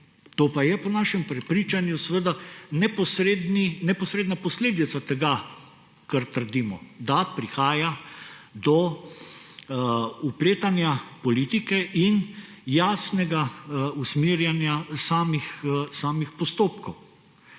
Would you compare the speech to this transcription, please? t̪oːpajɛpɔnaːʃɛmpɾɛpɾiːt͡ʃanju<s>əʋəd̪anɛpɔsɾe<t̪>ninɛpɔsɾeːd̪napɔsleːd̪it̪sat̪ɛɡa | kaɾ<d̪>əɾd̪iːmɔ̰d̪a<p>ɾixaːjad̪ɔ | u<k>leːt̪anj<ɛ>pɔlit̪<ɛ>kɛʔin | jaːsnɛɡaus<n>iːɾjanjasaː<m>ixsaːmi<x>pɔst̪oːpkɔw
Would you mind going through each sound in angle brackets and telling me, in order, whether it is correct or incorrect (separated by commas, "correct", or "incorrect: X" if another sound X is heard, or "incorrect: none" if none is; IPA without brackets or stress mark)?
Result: correct, incorrect: d̪, incorrect: t̪, correct, incorrect: p, incorrect: a, incorrect: i, incorrect: m, correct, correct